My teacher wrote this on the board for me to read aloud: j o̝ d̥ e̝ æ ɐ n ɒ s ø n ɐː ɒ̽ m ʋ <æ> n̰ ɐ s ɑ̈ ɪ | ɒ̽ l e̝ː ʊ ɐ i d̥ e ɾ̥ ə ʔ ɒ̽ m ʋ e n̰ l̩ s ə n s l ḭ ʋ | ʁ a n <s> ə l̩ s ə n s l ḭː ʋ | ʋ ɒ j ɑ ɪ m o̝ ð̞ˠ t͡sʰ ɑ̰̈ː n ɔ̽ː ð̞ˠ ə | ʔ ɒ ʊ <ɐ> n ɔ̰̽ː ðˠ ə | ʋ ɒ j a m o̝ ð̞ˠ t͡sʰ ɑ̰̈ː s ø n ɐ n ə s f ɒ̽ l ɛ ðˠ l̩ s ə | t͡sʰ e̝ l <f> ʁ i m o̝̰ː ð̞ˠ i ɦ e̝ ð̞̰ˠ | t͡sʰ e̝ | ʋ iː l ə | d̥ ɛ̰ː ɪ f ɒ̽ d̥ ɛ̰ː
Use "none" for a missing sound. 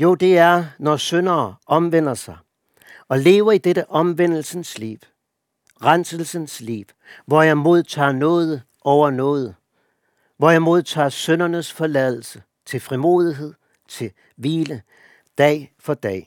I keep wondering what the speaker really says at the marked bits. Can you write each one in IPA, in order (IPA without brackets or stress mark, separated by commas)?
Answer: e, s, ɐ, f